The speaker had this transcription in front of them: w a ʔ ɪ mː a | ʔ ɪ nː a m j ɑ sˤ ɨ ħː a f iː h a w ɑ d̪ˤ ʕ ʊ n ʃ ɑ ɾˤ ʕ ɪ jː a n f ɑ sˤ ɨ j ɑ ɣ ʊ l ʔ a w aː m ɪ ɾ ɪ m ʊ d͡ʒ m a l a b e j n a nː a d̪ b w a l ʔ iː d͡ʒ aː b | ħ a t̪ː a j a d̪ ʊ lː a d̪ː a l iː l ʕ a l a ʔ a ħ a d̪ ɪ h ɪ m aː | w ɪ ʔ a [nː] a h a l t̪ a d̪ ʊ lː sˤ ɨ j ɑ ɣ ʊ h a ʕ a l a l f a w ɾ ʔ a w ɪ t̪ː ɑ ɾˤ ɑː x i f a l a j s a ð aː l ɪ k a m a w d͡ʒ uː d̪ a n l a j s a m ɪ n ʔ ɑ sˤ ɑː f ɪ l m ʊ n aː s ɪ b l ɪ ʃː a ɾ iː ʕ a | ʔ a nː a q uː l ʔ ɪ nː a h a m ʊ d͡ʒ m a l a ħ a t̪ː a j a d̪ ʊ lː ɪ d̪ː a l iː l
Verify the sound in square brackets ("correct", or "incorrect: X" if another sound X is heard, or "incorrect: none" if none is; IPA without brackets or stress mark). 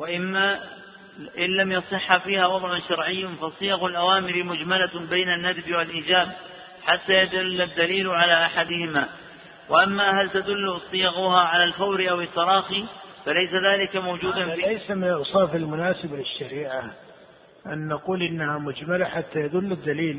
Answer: incorrect: mː